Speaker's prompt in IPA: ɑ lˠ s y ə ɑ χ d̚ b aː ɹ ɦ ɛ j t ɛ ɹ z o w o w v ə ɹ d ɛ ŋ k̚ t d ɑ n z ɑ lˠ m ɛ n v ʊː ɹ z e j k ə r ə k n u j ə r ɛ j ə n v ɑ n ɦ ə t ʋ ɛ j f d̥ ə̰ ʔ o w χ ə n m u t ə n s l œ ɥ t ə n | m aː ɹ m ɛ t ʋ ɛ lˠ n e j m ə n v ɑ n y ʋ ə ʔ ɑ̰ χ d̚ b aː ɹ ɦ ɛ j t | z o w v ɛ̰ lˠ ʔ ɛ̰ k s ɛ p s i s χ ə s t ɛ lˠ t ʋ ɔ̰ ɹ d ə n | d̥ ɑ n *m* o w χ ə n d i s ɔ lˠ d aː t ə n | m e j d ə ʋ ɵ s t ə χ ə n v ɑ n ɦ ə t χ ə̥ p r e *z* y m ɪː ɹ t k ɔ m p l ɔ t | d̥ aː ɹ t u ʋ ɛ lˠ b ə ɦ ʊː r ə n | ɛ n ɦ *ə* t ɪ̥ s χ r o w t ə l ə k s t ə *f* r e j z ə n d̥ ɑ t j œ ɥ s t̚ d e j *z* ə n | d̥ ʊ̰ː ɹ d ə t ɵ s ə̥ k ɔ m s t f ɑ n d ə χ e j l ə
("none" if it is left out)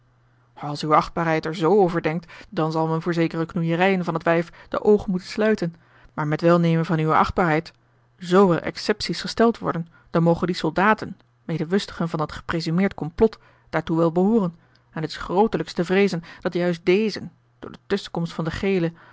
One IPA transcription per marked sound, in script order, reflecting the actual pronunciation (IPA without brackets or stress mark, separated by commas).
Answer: m, z, ə, v, z